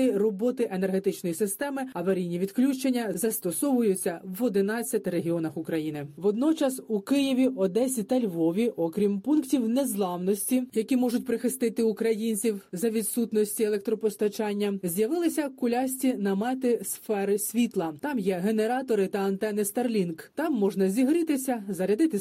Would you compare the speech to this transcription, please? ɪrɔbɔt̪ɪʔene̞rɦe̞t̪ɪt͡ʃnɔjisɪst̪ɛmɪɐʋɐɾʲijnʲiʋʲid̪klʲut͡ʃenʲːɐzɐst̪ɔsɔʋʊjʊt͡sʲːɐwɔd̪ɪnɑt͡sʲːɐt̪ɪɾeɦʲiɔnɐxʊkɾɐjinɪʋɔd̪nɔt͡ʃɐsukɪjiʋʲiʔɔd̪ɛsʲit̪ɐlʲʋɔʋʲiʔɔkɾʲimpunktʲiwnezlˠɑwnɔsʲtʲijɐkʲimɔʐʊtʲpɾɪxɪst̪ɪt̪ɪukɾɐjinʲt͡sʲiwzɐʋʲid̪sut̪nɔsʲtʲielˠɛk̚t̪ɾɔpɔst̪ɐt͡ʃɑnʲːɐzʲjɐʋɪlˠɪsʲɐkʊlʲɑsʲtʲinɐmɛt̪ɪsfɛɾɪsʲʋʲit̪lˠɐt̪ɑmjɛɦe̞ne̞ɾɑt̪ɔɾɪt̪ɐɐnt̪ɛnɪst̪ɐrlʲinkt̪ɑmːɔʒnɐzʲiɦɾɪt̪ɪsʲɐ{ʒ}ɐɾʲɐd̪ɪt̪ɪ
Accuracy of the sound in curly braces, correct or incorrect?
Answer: incorrect